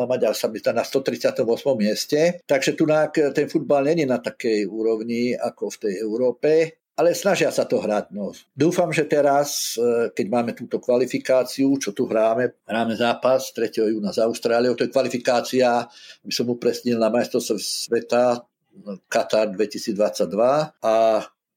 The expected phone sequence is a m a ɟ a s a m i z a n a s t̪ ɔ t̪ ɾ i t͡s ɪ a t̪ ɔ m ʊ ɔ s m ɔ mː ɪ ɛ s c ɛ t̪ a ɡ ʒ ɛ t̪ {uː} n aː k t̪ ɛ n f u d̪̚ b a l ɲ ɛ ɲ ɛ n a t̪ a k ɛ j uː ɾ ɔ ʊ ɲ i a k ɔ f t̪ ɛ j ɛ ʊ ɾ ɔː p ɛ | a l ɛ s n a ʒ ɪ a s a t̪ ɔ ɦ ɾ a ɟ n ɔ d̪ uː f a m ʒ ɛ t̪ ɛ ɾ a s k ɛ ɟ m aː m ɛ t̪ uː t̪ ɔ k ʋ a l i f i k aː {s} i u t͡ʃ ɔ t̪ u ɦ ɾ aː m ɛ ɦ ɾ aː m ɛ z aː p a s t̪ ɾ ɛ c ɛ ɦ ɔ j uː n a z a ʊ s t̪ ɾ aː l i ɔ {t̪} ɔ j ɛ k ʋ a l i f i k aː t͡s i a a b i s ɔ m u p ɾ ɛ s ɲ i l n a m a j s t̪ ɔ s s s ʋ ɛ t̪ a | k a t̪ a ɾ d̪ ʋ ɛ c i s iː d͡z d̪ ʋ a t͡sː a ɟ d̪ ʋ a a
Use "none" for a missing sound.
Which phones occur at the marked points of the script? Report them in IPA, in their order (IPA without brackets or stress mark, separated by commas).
u, t͡s, t̪